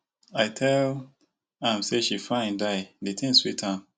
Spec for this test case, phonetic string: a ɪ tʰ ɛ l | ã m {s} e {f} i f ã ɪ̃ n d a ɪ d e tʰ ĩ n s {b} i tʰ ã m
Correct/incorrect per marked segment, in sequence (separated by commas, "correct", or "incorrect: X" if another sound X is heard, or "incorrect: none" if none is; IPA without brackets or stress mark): correct, incorrect: ʃ, incorrect: w